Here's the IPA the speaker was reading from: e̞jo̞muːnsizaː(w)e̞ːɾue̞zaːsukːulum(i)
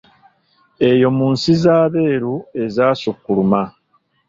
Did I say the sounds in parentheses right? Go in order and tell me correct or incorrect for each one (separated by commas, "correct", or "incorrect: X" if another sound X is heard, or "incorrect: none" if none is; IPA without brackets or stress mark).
incorrect: β, incorrect: a